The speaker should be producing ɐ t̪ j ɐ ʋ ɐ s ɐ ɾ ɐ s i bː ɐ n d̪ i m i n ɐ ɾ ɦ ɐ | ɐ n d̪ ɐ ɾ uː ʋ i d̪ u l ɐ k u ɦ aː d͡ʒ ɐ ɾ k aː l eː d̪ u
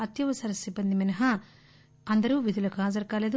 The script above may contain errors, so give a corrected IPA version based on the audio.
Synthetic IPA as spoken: ɐ t̪ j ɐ ʋ ɐ s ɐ ɾ ɐ s i bː ɐ n d̪ i m i n ɐ ɦ ɐ | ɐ n d̪ ɐ ɾ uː ʋ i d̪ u l ɐ k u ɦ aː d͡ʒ ɐ ɾ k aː l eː d̪ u

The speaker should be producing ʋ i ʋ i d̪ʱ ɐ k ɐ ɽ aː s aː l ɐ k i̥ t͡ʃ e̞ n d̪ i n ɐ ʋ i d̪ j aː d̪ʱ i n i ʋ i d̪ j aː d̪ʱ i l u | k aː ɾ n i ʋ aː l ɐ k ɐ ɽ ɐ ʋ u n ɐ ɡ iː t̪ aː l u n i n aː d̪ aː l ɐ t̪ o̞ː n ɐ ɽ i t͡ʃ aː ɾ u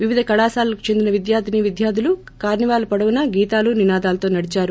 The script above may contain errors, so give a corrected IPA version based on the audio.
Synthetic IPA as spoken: ʋ i ʋ i d̪ʱ ɐ k ɐ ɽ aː s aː l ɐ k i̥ t͡ʃ e̞ n d̪ i n ɐ ʋ i d̪ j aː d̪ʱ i n i ʋ i d̪ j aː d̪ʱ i l u | k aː ɾ n i ʋ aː l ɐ p ɐ ɽ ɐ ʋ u n ɐ ɡ iː t̪ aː l u n i n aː d̪ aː l ɐ t̪ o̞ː n ɐ ɽ i t͡ʃ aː ɾ u

